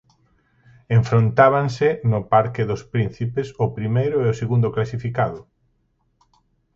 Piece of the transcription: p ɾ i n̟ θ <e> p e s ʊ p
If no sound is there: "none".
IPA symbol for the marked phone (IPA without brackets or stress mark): i